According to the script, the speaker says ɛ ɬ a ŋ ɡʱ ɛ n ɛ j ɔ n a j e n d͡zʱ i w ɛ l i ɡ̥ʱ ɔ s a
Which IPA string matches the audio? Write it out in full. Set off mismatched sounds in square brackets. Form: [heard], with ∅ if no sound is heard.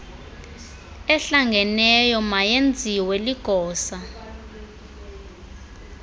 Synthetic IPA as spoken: ɛ ɬ a ŋ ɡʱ ɛ n ɛ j ɔ [m] a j e n d͡zʱ i w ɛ l i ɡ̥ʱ [ɔː] s a